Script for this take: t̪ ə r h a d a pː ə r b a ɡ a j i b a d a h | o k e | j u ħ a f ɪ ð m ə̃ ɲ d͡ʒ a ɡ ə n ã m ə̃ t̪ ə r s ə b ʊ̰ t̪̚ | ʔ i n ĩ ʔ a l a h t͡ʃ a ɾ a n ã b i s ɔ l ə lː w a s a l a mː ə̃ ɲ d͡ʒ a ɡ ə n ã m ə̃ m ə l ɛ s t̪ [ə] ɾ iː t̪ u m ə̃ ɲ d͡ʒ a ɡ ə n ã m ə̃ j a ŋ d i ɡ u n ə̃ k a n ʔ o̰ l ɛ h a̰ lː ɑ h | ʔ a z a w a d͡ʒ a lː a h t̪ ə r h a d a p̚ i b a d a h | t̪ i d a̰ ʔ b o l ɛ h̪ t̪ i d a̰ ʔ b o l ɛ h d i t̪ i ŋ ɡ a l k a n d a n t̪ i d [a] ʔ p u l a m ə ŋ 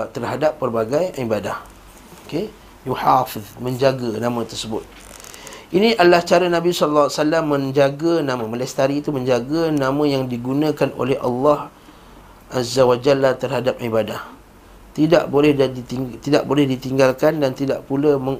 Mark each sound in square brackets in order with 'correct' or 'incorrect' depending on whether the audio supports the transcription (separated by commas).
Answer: incorrect, correct